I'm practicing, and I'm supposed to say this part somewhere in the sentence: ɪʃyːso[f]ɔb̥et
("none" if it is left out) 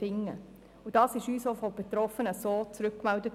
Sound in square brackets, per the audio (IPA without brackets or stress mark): f